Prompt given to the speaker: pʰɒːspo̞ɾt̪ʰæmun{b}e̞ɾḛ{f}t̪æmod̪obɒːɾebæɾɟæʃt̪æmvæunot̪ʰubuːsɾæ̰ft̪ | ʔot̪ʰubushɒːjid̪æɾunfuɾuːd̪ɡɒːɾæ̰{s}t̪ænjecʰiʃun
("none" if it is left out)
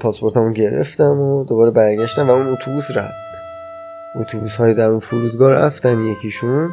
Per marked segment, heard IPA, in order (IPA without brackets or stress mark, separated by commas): ɟ, f, f